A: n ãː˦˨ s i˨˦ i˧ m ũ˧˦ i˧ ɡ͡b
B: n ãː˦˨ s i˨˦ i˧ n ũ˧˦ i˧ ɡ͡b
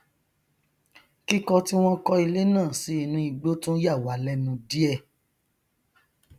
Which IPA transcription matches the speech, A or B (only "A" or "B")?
B